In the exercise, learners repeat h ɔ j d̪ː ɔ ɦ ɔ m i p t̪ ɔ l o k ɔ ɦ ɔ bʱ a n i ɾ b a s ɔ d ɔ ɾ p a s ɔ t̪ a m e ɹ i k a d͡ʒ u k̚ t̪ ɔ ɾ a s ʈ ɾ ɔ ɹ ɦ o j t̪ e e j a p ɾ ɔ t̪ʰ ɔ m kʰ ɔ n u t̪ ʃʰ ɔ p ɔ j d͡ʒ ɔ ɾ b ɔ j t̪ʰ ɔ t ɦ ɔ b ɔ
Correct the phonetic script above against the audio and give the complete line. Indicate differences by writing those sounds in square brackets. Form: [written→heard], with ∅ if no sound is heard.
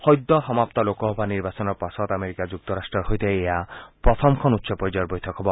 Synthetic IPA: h ɔ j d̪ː ɔ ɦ ɔ m [i→a] p t̪ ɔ l o k ɔ ɦ ɔ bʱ a n i ɾ b a s ɔ [d→n] ɔ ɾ p a s ɔ t̪ a m e [ɹ→ɾ] i k a d͡ʒ u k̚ t̪ ɔ ɾ a s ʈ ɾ ɔ [ɹ→ɾ] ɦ o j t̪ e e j a p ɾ ɔ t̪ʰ ɔ m kʰ ɔ n u t̪ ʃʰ ɔ p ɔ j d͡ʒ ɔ ɾ b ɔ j t̪ʰ ɔ [t→k] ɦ ɔ b ɔ